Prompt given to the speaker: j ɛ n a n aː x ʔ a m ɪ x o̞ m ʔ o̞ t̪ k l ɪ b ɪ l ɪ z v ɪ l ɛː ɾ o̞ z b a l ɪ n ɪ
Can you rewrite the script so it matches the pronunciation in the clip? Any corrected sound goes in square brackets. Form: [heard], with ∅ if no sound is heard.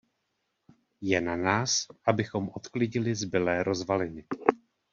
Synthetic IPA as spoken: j ɛ n a n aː [s] ʔ a [b] ɪ x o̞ m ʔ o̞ t̪ k l ɪ [ɟ] ɪ l ɪ z [b] ɪ l ɛː ɾ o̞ z [v] a l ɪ n ɪ